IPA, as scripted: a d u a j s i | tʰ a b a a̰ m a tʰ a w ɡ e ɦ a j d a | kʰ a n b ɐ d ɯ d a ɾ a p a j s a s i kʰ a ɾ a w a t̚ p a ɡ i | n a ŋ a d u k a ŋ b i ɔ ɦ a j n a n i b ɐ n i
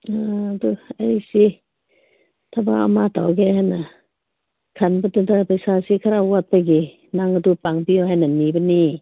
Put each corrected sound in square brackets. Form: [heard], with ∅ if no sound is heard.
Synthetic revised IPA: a d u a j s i | tʰ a b a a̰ m a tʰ a w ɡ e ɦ a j [n] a | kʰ a n b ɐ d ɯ d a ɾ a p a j s a s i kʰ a ɾ a w a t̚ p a ɡ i | n a ŋ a d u [p] a ŋ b i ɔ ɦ a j n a n i b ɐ n i

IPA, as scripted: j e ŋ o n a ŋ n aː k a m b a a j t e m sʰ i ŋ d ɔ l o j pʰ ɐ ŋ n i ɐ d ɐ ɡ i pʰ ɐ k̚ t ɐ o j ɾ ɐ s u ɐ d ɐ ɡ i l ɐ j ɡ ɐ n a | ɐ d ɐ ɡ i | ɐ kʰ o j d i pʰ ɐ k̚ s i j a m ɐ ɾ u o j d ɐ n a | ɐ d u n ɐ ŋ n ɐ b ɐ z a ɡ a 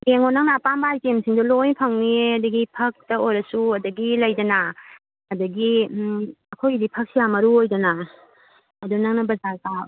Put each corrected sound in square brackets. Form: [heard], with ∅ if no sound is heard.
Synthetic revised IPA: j e ŋ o n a ŋ n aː [p] a m b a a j t e m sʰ i ŋ d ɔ l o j pʰ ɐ ŋ n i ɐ d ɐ ɡ i pʰ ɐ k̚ t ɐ o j ɾ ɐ s u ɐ d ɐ ɡ i l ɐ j [d] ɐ n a | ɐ d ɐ ɡ i | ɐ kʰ o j d i pʰ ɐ k̚ s i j a m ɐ ɾ u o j d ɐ n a | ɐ d u n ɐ ŋ n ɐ b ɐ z a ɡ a

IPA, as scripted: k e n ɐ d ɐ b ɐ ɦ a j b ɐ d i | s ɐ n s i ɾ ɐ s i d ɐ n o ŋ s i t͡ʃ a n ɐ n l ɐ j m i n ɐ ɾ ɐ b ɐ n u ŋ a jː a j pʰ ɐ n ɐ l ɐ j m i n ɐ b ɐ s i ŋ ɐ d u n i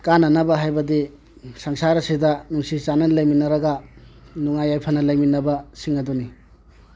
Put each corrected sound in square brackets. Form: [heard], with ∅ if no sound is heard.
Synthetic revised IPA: k [a] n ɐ [n] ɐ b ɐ ɦ a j b ɐ d i | s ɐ [ŋ] s [a] ɾ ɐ s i d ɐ n [u] ŋ s i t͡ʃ a n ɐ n l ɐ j m i n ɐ ɾ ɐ [ɡ] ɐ n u ŋ a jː a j pʰ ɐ n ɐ l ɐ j m i n ɐ b ɐ s i ŋ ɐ d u n i

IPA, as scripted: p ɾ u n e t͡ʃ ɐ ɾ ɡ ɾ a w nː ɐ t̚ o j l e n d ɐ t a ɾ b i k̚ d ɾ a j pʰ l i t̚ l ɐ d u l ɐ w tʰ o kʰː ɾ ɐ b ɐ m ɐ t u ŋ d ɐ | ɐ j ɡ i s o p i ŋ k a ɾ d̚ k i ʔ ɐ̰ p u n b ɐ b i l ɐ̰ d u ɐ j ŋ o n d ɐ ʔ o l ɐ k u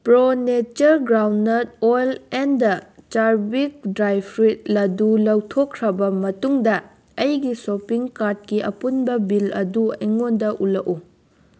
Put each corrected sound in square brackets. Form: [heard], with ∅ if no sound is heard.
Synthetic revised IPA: p ɾ [o] n e t͡ʃ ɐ ɾ ɡ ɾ a w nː ɐ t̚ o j l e n d ɐ [t͡ʃ] a ɾ b i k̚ d ɾ a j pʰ [ɾ] i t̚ l ɐ d u l ɐ w tʰ o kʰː ɾ ɐ b ɐ m ɐ t u ŋ d ɐ | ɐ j ɡ i s o p i ŋ k a ɾ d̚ k i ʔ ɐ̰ p u n b ɐ b i l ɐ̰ d u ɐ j ŋ o n d ɐ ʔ [u] l ɐ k u

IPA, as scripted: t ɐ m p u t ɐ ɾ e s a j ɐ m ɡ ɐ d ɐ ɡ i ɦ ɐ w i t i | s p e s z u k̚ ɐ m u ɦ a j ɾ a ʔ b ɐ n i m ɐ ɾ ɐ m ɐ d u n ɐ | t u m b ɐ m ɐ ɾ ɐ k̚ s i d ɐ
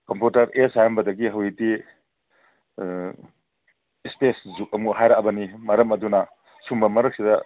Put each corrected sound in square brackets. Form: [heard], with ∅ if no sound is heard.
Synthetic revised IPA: [k] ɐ m p u t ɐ ɾ e s a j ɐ m [b] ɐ d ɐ ɡ i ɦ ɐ w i t i | s p e s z u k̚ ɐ m u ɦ a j ɾ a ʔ b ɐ n i m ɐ ɾ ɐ m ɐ d u n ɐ | [s] u m b ɐ m ɐ ɾ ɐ k̚ s i d ɐ

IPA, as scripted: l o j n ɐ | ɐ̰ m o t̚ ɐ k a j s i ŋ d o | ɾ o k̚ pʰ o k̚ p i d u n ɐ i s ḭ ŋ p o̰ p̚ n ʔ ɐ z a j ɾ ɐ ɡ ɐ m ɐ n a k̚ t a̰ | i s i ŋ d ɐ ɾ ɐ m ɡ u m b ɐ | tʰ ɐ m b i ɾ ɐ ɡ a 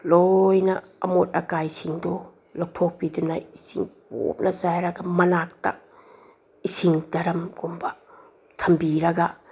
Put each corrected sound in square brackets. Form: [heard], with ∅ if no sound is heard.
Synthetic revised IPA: l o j n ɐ | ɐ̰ m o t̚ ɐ k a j s i ŋ d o | [l] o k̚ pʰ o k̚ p i d u n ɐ i s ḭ ŋ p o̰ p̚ n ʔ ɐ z a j ɾ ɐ ɡ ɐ m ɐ n a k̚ t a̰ | i s i ŋ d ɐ ɾ ɐ m ɡ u m b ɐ | tʰ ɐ m b i ɾ ɐ ɡ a

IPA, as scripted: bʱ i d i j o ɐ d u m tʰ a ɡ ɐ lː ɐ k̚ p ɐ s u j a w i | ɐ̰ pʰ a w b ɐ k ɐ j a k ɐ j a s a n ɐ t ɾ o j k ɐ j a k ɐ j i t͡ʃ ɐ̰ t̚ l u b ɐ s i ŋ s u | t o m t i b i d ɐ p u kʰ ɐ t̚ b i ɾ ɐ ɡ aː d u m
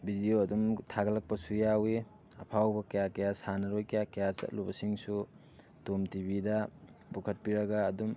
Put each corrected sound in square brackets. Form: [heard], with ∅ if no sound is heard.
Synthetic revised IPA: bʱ i d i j o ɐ d u m tʰ a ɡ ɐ [l] ɐ k̚ p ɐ s u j a w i | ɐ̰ pʰ a w b ɐ k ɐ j a k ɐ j a s a n ɐ [∅] ɾ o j k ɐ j a k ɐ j [a] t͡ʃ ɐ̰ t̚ l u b ɐ s i ŋ s u | t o m t i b i d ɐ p u kʰ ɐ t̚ [p] i ɾ ɐ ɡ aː d u m

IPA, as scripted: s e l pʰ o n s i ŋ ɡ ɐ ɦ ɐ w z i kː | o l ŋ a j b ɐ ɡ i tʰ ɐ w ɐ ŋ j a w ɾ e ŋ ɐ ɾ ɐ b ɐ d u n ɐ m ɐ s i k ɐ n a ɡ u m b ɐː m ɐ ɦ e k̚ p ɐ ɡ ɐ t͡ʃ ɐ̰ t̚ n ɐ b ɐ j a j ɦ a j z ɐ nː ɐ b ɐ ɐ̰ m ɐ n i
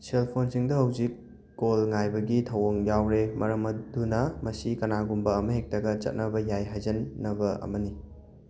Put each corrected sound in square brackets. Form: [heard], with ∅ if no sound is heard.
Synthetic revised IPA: s e l pʰ o n s i ŋ [d] ɐ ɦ ɐ w z i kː | o l ŋ a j b ɐ ɡ i tʰ ɐ w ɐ ŋ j a w ɾ e [m] ɐ ɾ ɐ [m] ɐ d u n ɐ m ɐ s i k ɐ n a ɡ u m b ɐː m ɐ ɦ e k̚ [t] ɐ ɡ ɐ t͡ʃ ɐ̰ t̚ n ɐ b ɐ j a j ɦ a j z ɐ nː ɐ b ɐ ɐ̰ m ɐ n i

